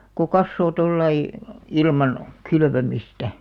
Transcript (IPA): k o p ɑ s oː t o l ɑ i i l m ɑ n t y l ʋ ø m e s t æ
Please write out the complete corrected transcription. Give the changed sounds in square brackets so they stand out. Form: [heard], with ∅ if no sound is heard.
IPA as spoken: k o [k] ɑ [sː] oː t o [lː] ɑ i i l m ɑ n [k] y l ʋ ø m [i] s t æ